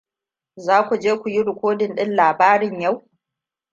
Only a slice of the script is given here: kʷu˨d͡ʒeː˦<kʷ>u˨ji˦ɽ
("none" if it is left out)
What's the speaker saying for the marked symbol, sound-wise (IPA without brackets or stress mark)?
kʷ